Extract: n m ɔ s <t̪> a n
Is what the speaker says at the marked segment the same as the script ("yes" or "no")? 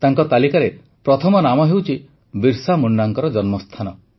no